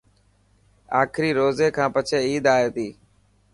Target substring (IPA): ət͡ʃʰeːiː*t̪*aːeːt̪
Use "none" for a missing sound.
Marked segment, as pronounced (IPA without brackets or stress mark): d̪